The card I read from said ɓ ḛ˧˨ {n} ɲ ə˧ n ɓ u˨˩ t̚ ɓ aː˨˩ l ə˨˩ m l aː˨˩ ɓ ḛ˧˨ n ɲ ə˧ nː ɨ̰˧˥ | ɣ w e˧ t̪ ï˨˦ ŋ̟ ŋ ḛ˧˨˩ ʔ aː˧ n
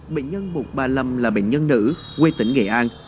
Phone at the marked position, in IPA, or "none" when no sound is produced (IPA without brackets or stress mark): n